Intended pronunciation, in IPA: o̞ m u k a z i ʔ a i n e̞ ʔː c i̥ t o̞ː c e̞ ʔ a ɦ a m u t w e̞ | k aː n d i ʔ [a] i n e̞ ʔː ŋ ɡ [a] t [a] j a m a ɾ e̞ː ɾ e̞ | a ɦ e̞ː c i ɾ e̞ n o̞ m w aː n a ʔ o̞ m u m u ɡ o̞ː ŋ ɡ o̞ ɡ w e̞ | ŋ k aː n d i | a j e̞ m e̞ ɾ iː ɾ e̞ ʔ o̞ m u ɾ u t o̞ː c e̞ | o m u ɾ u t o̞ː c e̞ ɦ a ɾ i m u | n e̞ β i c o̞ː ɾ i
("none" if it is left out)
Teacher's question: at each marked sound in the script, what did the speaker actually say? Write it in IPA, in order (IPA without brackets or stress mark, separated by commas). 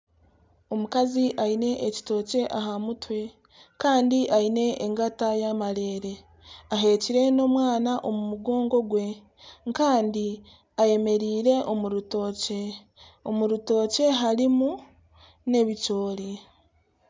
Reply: a, a, a